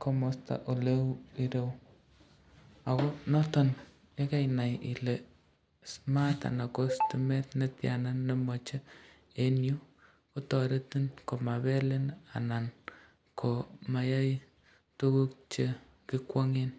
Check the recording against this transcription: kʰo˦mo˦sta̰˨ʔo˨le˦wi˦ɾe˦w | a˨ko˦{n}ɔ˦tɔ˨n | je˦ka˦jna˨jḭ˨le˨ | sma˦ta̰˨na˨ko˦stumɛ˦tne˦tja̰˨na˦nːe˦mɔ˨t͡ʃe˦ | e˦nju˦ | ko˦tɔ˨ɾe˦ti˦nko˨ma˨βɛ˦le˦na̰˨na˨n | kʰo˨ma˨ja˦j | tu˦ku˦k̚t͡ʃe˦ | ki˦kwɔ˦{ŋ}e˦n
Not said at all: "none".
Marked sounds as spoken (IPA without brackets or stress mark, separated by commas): n, ŋ